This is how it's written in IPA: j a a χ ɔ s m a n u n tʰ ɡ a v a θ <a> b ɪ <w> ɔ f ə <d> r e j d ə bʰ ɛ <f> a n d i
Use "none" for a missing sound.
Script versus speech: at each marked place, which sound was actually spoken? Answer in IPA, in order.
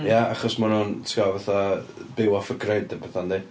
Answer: a, w, ɡ, θ

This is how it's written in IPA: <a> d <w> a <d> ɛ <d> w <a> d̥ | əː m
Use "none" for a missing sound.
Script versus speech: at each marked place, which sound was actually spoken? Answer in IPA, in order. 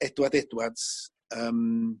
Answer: ɛ, w, d, d, a

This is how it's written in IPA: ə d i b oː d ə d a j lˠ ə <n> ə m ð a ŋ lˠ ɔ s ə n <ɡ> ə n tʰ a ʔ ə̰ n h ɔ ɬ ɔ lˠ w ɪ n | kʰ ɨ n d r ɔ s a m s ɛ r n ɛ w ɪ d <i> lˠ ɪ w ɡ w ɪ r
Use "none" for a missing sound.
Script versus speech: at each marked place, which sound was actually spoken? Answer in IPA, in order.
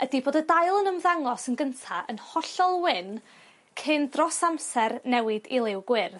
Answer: n, ɡ, i

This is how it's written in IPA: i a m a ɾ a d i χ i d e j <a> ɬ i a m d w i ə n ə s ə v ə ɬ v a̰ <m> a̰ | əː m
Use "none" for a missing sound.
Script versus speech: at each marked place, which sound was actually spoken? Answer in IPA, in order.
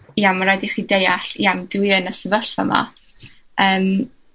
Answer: a, m

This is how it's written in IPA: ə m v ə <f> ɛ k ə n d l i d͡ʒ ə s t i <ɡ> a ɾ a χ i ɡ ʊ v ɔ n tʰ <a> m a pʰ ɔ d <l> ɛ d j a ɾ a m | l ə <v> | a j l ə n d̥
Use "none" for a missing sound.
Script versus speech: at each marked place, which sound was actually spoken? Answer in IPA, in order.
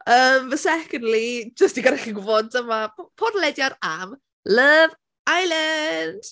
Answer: s, ɡ, ə, l, v

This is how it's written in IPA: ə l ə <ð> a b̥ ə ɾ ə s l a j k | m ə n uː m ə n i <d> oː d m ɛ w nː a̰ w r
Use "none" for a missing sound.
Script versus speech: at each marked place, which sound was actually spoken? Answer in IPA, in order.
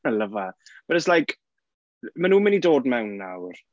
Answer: v, d

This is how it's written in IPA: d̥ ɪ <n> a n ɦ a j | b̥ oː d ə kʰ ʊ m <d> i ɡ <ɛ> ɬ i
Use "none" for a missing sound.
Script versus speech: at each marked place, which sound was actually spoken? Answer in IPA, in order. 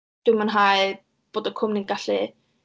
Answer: m, n, a

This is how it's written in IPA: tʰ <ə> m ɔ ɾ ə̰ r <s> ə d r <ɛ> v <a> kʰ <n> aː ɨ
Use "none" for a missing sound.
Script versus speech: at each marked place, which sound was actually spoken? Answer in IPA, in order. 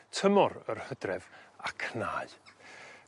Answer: ə, h, ɛ, a, n

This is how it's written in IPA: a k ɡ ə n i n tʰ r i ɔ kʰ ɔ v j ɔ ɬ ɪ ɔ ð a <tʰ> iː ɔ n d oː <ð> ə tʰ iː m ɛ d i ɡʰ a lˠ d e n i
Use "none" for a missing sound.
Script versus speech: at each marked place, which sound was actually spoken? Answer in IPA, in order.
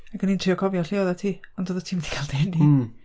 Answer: tʰ, ð

